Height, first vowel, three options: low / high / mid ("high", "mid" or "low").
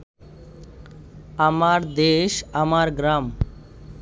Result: low